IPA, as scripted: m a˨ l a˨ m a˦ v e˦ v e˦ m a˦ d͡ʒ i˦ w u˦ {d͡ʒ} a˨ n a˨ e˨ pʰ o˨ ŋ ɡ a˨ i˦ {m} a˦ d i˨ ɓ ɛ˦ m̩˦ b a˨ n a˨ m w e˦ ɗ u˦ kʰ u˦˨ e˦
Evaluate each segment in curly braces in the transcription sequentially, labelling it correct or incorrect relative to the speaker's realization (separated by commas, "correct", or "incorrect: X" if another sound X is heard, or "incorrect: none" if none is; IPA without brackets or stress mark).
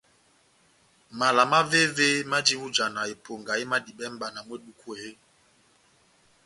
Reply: correct, correct